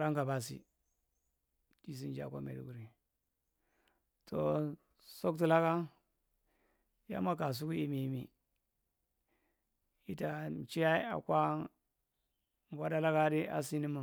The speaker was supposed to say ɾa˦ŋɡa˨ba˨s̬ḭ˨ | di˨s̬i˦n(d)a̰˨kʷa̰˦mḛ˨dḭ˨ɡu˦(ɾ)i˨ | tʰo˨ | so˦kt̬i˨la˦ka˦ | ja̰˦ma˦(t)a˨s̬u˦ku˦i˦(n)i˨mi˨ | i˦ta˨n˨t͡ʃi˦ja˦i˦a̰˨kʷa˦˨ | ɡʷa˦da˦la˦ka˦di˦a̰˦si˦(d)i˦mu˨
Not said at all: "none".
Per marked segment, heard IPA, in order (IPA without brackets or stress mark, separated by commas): d͡ʒ, ɾ, k, m, n